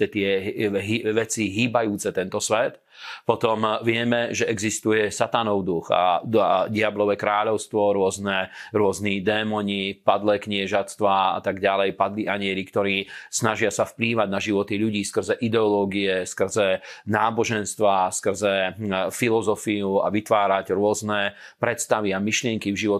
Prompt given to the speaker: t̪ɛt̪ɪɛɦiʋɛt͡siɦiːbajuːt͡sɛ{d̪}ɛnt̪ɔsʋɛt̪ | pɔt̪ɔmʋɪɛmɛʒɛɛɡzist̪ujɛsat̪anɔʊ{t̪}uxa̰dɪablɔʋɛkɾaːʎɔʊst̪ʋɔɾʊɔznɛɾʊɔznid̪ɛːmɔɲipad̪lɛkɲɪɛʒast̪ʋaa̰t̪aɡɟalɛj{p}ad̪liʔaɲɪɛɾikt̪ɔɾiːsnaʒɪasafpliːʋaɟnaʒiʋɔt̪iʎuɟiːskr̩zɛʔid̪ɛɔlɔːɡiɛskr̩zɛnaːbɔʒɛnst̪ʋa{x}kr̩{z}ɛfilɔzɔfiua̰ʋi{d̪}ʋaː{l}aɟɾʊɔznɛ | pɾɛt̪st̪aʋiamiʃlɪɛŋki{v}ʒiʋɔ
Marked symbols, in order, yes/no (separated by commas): no, no, yes, no, yes, no, no, yes